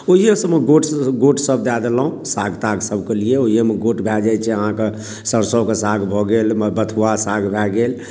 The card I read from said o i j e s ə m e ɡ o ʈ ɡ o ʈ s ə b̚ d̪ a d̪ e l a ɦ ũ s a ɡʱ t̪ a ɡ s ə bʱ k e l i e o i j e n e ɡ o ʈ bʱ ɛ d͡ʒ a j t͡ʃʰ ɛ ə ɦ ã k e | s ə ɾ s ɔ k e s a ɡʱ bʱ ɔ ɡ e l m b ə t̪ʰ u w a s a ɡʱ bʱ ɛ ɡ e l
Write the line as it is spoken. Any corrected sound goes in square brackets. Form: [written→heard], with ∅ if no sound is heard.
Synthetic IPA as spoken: o i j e s ə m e ɡ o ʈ ɡ o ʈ s ə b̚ d̪ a d̪ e l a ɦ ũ s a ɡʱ t̪ a ɡ s ə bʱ k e l i e o i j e [n→m] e ɡ o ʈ bʱ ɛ d͡ʒ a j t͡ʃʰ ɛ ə ɦ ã k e | s ə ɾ s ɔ k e s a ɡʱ bʱ ɔ ɡ e l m b ə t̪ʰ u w a s a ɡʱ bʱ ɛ ɡ e l